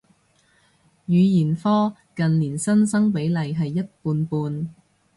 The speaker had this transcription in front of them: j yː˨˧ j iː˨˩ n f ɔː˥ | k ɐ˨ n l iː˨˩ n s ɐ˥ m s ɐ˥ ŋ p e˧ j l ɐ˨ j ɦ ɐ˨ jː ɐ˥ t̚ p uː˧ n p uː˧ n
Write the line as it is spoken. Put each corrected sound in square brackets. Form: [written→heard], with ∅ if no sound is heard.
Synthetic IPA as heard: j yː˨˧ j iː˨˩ n f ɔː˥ | k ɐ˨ n l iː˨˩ n s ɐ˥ [m→n] s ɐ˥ ŋ p [e˧→e˨˥] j l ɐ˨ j ɦ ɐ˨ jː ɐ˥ t̚ p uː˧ n p uː˧ n